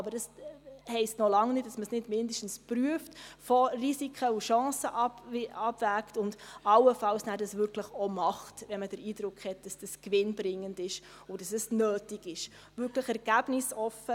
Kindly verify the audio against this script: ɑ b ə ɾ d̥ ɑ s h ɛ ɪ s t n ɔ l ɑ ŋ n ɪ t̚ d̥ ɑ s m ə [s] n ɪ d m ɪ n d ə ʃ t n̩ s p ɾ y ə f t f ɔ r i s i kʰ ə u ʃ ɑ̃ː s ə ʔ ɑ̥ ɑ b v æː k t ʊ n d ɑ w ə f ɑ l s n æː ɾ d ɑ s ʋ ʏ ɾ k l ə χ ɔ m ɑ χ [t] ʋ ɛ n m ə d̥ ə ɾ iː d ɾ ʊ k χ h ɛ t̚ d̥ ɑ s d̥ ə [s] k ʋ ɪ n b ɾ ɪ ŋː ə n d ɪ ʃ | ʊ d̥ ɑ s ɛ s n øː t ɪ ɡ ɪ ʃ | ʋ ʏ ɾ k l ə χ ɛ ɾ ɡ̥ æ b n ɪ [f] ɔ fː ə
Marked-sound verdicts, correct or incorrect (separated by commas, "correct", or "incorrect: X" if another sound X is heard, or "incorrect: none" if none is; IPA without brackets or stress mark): correct, correct, correct, incorrect: s